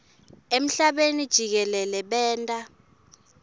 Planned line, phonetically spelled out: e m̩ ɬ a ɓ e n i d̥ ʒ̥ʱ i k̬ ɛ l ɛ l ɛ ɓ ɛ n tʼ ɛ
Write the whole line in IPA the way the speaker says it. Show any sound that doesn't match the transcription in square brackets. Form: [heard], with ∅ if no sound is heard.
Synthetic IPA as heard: e m̩ ɬ a ɓ e n i d̥ ʒ̥ʱ i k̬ ɛ l ɛ l ɛ ɓ [ɛː] n tʼ [a]